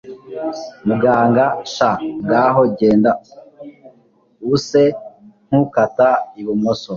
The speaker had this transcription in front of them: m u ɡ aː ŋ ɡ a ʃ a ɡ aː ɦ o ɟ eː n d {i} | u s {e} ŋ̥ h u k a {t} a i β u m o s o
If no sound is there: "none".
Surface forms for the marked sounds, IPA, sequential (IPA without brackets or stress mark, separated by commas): a, e, t